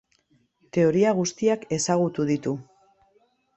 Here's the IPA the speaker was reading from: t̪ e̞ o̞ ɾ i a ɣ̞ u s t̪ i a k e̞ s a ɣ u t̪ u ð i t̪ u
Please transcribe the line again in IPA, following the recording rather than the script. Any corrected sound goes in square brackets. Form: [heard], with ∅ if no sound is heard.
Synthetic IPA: t̪ e̞ o̞ ɾ i a ɣ̞ u s t̪ i a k e̞ s a ɣ u t̪ u ð i t̪ u